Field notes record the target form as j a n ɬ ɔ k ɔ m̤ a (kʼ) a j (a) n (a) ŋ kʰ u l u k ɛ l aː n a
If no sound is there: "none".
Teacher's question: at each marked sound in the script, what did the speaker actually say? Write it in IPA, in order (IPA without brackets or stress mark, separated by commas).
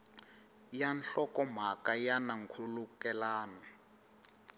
k, a, a